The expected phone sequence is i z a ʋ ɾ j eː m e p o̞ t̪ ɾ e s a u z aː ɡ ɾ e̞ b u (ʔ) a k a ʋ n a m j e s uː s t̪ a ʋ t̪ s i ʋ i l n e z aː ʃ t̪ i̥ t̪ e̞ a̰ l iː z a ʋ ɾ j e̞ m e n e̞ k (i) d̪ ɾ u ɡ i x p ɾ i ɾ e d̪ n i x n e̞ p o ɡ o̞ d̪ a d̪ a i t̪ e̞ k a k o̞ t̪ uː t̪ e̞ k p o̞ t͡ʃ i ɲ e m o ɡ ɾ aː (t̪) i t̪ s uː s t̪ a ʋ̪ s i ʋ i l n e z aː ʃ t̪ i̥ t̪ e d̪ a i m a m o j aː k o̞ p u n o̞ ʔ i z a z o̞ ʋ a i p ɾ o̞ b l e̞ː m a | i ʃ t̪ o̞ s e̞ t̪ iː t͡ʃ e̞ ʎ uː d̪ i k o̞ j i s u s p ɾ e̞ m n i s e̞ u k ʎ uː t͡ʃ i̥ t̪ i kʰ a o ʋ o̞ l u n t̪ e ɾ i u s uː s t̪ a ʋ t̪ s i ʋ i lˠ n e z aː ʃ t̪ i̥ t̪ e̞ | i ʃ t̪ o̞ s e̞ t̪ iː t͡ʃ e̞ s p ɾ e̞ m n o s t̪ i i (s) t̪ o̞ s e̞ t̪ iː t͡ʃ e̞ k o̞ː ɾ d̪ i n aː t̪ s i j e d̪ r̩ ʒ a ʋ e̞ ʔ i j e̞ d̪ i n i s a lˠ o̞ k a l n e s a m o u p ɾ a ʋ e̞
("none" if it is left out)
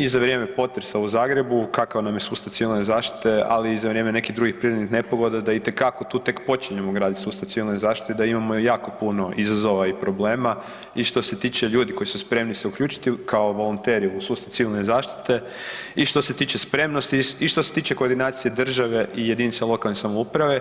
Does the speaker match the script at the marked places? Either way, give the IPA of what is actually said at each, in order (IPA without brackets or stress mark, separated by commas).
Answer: k, i, d̪, ʃ